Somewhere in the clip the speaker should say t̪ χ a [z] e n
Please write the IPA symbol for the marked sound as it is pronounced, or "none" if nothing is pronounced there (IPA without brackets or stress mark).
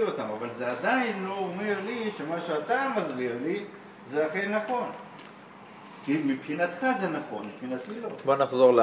z